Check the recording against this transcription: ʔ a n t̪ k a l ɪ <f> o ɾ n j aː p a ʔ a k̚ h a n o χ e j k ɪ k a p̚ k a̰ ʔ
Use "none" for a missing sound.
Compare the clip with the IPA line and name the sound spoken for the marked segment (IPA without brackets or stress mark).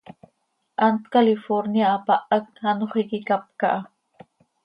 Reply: f